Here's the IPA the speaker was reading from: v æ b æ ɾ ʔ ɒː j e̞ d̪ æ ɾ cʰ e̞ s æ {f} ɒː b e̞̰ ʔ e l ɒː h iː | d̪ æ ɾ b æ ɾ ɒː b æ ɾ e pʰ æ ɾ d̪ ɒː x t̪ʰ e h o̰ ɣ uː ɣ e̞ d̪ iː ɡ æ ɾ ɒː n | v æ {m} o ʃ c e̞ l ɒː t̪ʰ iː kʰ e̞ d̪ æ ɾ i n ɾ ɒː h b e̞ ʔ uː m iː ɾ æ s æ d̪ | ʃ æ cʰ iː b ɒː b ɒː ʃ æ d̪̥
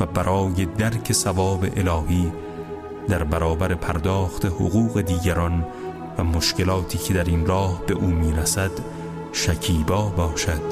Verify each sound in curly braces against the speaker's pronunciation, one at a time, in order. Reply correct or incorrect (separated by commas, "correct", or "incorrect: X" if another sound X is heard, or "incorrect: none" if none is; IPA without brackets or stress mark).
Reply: incorrect: v, correct